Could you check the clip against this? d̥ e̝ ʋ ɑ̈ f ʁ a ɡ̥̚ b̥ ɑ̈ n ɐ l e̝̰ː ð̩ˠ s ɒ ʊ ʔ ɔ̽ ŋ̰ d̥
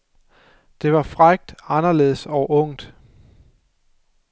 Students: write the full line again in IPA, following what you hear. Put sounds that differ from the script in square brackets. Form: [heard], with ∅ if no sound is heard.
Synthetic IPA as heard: d̥ e̝ ʋ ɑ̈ f ʁ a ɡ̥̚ [d̥] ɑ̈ n ɐ l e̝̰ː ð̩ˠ s ɒ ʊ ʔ ɔ̽ ŋ̰ d̥